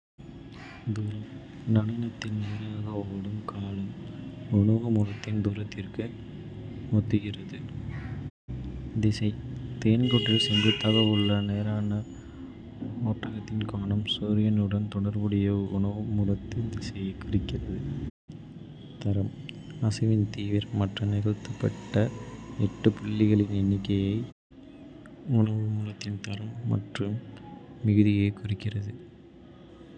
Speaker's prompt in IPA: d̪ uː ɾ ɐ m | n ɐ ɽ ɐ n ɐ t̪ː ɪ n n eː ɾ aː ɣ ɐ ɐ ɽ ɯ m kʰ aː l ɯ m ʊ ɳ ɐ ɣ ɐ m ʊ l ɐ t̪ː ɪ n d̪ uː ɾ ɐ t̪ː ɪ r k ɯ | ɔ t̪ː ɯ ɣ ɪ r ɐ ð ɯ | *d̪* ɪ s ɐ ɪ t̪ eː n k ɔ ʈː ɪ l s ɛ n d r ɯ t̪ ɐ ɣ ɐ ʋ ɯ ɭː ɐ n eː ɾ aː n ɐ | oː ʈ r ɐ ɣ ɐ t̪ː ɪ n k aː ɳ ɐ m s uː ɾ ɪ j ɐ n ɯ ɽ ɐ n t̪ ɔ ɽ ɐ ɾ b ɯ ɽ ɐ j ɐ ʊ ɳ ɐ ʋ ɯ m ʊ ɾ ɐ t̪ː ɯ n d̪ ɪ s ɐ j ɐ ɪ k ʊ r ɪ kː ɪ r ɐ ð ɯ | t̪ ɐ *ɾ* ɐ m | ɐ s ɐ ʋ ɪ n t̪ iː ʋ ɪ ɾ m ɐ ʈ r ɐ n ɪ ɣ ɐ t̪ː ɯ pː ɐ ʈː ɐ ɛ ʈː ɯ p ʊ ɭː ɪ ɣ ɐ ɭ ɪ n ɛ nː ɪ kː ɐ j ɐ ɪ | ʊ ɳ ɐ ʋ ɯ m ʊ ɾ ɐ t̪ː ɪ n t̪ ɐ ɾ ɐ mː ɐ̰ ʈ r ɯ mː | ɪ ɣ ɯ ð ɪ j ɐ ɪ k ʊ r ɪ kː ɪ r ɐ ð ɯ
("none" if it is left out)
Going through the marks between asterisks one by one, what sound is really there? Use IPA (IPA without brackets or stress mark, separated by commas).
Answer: d̪, ɾ